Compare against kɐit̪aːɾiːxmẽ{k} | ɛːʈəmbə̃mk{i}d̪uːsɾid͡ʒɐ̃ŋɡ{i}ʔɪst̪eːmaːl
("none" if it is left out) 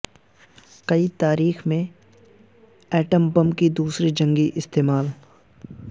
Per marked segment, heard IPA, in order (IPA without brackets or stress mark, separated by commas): none, i, i